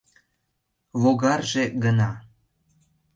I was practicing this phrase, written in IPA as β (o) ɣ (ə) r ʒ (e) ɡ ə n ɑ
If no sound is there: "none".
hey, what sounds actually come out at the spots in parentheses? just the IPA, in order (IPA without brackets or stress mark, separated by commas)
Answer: o, ɑ, e